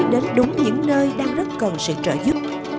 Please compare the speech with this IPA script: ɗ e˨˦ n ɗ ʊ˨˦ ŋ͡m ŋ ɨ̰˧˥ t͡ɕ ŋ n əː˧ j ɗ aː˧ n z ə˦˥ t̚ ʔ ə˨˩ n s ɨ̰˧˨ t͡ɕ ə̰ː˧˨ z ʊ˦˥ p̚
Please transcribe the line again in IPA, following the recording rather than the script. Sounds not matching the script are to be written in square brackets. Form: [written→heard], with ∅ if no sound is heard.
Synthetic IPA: ɗ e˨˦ n ɗ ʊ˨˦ ŋ͡m [ŋ→ɲ] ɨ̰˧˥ [t͡ɕ→∅] ŋ n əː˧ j ɗ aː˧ [n→ŋ] z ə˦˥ t̚ [ʔ→k] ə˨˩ n s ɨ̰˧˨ t͡ɕ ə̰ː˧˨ z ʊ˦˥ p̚